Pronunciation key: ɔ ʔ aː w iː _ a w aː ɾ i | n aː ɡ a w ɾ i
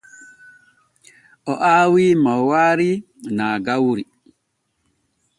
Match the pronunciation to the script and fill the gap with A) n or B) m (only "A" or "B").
B